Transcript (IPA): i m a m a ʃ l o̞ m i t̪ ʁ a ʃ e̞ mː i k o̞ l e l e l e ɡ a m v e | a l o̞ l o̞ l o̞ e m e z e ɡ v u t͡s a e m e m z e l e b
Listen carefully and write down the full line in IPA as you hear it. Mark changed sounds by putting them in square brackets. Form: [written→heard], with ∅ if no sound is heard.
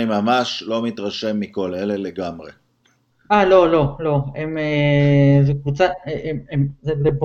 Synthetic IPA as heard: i m a m a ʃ l o̞ m i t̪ ʁ a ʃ e̞ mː i k o̞ l e l e l e ɡ a m [v→ʁ] e | a l o̞ l o̞ l o̞ e m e z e [ɡ→k] v u t͡s a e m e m z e l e b